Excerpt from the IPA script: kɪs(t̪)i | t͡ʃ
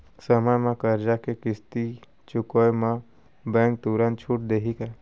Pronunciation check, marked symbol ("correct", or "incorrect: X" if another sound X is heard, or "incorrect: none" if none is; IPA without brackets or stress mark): correct